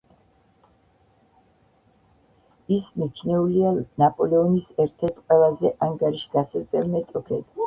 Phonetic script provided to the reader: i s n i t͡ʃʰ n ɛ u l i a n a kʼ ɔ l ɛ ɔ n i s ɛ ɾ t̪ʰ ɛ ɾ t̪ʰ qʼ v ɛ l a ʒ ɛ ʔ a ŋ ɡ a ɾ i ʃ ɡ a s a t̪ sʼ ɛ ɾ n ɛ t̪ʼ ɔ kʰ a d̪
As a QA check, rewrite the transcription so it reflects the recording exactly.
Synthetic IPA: i s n i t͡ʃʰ n ɛ u l i a n a pʼ ɔ l ɛ ɔ n i s ɛ ɾ t̪ʰ ɛ ɾ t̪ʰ qʼ w ɛ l a z ɛ ʔ a ŋ ɡ a ɾ i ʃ ɡ a s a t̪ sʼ ɛ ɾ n ɛ t̪ʼ ɔ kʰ ɛ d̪